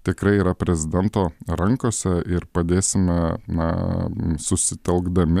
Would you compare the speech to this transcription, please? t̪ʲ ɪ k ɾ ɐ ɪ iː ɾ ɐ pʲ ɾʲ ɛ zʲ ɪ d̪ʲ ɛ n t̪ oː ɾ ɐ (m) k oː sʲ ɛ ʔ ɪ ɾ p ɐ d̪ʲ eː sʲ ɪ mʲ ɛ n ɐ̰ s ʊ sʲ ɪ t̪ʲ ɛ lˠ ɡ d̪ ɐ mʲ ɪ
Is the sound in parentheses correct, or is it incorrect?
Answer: incorrect